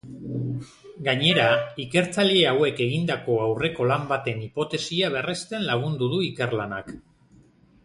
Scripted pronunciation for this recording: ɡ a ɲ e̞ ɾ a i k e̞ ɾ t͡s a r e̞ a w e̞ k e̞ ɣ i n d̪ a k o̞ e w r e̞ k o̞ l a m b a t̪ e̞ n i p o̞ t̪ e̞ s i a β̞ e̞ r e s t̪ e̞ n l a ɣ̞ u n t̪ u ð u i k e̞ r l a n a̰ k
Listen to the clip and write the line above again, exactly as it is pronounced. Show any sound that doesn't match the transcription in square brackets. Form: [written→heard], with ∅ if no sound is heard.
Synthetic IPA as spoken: ɡ a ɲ e̞ ɾ a i k e̞ ɾ t͡s a [r→ʎ] e̞ a w e̞ k e̞ ɣ i n d̪ a k o̞ [e→a] w r e̞ k o̞ l a m b a t̪ e̞ n i p o̞ t̪ e̞ s i a β̞ e̞ r e s t̪ e̞ n l a ɣ̞ u n [t̪→d̪] u ð u i k e̞ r l a n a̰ k